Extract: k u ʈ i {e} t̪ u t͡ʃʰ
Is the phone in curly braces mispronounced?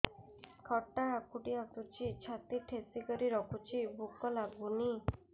yes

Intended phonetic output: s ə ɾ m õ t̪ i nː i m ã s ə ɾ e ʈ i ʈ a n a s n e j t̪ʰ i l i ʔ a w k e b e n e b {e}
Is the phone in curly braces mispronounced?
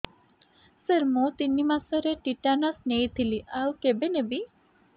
yes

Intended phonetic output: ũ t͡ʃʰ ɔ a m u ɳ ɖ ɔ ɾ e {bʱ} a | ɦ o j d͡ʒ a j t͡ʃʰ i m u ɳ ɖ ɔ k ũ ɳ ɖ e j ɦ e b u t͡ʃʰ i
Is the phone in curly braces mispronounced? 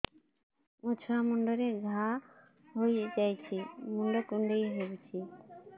yes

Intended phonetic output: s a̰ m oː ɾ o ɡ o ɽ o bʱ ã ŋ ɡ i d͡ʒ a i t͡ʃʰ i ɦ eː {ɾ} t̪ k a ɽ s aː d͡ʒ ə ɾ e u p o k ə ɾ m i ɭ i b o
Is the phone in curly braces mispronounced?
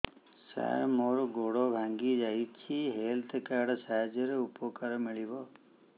yes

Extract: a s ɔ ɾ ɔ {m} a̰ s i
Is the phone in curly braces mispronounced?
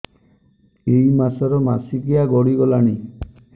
no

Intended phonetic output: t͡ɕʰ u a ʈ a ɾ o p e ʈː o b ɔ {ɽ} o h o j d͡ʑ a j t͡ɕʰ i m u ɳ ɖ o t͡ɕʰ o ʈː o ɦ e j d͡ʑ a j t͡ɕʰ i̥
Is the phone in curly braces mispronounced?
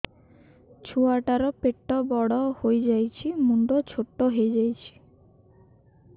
no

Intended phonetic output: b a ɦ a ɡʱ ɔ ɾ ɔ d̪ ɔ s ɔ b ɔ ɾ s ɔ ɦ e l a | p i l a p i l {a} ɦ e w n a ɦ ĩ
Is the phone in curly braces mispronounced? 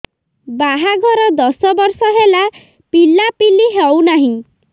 yes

